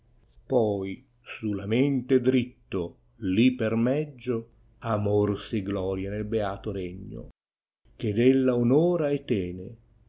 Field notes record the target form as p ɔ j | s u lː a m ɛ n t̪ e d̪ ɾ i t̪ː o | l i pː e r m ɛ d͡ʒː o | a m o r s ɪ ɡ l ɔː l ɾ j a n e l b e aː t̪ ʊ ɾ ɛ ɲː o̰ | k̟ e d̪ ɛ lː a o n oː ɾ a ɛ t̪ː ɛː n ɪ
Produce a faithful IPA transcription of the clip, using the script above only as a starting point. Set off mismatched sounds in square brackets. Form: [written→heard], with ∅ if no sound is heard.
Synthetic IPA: p ɔ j | s u [lː→l] a m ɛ n t̪ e d̪ ɾ i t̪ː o | l i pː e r m ɛ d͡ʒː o | a m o r s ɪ ɡ l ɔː [l→∅] ɾ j a n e l b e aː t̪ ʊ ɾ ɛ ɲː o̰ | k̟ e d̪ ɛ lː a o n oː ɾ a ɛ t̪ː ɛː n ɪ